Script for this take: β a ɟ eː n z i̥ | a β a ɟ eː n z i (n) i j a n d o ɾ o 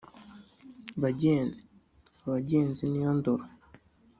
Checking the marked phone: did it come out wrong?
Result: no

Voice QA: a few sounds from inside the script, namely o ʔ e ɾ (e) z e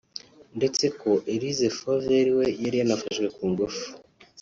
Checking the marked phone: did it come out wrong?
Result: yes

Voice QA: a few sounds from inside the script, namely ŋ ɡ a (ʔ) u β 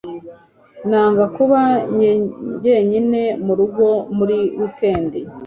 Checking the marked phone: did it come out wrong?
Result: yes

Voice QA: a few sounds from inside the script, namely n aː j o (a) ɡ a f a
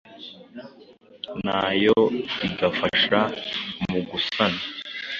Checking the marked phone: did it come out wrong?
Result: yes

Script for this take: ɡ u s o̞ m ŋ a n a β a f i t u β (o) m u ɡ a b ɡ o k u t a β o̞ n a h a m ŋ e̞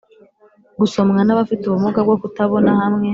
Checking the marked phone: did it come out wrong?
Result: yes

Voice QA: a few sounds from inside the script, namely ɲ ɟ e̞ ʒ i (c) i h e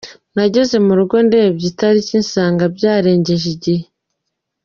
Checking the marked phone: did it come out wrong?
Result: yes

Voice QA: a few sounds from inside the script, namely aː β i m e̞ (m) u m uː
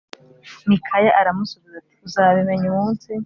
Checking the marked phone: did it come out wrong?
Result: yes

